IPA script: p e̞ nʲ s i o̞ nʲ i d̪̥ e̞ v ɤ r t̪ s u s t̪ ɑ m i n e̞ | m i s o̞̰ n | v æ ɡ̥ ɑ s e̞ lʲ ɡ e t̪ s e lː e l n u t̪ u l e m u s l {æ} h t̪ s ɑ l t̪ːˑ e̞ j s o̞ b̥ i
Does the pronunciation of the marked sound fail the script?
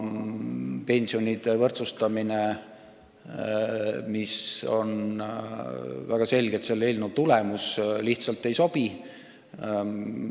yes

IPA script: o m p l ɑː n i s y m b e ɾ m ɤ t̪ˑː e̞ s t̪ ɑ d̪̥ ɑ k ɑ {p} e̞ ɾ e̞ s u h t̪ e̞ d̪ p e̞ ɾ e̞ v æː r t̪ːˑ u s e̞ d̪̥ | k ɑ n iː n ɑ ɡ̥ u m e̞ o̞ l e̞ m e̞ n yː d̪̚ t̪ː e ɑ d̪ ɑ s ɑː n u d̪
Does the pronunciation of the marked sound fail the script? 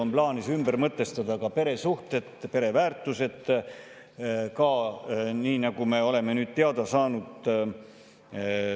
no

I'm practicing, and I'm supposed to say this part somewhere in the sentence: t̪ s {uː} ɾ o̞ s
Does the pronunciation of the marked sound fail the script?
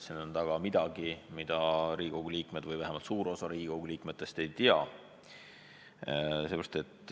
no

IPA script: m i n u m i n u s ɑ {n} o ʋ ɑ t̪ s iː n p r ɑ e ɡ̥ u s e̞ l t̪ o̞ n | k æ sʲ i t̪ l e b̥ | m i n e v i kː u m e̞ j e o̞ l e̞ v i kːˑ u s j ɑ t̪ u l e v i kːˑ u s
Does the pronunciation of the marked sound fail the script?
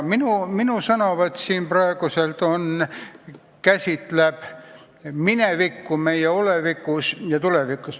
no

